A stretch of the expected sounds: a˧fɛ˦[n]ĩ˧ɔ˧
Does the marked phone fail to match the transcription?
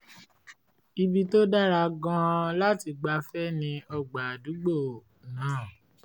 no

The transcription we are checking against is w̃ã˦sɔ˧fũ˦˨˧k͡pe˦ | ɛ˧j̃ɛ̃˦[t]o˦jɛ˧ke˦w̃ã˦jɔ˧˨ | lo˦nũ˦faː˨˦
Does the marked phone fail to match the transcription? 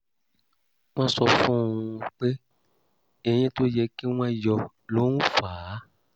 no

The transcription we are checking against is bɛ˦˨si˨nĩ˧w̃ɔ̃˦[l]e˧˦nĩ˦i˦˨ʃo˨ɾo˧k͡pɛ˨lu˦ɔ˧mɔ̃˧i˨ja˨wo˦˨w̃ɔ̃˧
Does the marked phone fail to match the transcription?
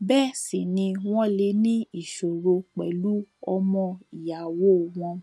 no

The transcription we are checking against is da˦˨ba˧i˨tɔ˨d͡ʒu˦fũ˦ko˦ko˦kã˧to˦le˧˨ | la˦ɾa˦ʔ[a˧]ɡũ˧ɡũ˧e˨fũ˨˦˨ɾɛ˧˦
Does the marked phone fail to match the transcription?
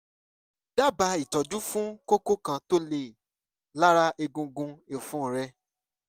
yes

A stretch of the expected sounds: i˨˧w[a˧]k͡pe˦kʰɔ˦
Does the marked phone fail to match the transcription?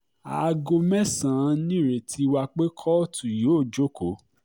no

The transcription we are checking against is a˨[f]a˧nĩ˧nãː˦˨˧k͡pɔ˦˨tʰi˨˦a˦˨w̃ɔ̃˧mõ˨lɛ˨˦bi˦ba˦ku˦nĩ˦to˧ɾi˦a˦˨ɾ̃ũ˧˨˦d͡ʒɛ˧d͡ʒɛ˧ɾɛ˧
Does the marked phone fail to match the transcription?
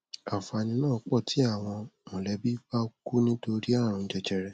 no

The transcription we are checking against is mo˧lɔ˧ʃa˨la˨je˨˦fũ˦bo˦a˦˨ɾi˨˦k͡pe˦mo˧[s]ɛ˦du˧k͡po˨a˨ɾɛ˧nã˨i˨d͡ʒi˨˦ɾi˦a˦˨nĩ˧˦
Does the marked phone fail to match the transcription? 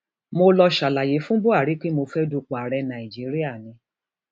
yes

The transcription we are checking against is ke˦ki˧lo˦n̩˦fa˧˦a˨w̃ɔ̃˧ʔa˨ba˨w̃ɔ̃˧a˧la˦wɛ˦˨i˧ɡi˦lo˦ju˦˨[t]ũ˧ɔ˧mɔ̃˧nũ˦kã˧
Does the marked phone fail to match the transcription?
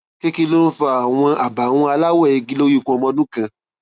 yes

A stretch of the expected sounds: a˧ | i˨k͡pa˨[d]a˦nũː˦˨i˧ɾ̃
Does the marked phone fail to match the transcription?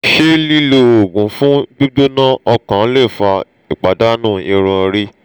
no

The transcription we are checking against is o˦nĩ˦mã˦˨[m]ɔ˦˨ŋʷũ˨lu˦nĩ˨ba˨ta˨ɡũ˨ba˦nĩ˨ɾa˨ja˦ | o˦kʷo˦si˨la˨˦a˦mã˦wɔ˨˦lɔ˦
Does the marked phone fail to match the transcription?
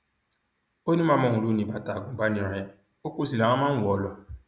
no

